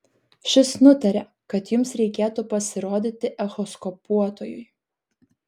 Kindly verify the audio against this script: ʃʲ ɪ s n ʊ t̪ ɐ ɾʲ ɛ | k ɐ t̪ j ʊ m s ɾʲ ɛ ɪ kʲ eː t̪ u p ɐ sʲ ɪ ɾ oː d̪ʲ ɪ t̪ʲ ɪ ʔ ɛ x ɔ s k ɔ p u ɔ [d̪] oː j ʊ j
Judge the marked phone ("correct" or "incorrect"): incorrect